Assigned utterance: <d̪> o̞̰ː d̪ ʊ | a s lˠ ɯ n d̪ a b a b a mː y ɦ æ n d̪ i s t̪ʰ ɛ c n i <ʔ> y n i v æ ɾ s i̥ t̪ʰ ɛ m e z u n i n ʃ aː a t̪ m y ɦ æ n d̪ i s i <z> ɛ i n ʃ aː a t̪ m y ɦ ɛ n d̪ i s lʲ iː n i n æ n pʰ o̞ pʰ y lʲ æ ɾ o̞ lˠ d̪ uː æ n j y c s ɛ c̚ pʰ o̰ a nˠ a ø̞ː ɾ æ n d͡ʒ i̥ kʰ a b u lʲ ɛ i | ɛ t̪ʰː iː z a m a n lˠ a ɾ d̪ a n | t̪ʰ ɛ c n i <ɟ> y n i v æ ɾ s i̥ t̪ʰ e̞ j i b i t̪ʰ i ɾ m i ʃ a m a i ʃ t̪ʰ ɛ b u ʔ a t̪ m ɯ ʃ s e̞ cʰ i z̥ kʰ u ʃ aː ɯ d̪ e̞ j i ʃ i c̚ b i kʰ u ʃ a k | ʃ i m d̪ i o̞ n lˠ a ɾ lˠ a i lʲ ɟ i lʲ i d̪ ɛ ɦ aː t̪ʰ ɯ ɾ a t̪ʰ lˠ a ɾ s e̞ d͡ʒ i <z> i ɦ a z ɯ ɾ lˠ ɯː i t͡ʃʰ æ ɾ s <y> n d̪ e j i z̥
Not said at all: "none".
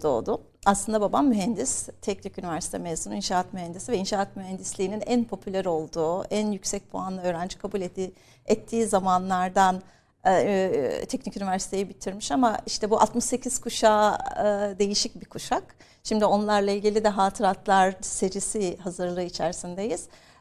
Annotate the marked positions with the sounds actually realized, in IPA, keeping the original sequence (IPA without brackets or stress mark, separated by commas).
d̪, c, v, c, s, i